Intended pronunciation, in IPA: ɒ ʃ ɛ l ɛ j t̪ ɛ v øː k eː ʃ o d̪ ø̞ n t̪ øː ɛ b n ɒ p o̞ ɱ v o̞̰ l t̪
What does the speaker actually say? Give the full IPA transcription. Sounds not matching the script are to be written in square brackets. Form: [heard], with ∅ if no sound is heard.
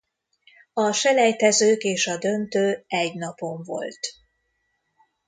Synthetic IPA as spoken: ɒ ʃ ɛ l ɛ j t̪ ɛ [z] øː k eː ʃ [ɒ] d̪ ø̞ n t̪ øː ɛ [ɟ] n ɒ p o̞ ɱ v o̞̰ l t̪